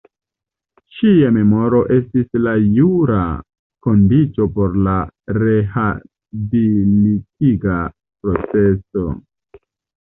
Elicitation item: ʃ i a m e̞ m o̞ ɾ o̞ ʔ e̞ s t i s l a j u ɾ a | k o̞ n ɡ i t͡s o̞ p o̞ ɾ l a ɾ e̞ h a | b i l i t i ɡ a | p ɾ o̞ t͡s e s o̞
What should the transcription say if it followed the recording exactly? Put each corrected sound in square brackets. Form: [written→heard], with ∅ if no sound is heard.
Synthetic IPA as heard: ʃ i a m e̞ m o̞ ɾ o̞ ʔ e̞ s t i s l a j u ɾ a | k o̞ n [ɡ→d] i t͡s o̞ p o̞ ɾ l a ɾ e̞ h a | b i l i t i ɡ a | p ɾ o̞ t͡s e s o̞